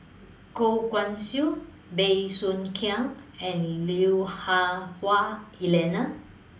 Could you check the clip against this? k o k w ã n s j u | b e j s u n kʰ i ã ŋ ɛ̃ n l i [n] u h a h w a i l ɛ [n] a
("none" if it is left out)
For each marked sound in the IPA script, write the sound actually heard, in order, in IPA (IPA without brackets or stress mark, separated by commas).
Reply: none, n